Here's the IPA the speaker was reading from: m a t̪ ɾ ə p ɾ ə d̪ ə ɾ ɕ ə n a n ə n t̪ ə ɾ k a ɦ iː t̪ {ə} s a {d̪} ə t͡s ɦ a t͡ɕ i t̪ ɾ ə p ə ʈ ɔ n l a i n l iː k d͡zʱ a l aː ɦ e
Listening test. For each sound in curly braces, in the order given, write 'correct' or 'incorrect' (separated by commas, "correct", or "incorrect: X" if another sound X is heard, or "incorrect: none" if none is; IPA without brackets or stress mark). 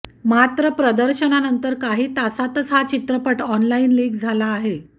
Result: incorrect: a, incorrect: t̪